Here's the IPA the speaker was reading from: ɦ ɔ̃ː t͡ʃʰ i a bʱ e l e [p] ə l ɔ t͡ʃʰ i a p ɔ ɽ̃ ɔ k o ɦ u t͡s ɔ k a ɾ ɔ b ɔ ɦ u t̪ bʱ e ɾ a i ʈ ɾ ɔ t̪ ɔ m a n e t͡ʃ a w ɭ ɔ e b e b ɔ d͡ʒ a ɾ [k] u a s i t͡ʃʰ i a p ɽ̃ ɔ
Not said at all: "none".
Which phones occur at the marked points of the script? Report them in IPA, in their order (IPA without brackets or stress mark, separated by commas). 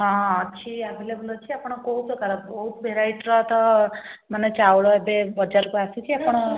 b, k